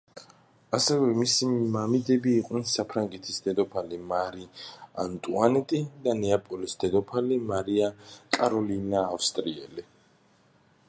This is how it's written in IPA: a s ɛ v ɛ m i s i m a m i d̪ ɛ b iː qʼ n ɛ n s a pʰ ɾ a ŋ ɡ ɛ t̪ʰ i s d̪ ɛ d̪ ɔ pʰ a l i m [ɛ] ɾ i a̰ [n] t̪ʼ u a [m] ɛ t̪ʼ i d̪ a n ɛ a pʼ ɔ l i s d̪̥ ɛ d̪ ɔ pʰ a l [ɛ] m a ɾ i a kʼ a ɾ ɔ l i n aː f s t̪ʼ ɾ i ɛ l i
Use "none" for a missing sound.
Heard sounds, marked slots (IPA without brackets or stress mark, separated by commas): a, n, n, i